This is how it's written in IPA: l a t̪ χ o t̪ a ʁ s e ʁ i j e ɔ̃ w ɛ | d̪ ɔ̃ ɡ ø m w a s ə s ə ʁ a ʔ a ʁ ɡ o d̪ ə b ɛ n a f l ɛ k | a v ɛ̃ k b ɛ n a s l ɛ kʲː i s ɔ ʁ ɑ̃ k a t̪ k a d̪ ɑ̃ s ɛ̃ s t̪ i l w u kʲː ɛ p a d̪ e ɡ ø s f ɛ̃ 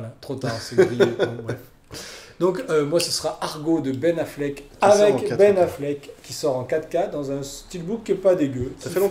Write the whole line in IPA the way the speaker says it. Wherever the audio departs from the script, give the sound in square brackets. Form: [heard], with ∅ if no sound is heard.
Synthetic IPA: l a t̪ χ o t̪ a ʁ s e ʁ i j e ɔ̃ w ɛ | d̪ ɔ̃ [k] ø m w a s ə s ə ʁ a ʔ a ʁ ɡ o d̪ ə b ɛ n a f l ɛ k | a v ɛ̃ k b ɛ n a [f] l ɛ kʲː i s ɔ ʁ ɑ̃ k a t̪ k a d̪ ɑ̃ [z] ɛ̃ s t̪ i l [b] u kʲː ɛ p a d̪ e ɡ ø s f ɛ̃